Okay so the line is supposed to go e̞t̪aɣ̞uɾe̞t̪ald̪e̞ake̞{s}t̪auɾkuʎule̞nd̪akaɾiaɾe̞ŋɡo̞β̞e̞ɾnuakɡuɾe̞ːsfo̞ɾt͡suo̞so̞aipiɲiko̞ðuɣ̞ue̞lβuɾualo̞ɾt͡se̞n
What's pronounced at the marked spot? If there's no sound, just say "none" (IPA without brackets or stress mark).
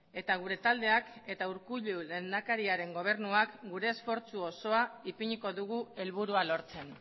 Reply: none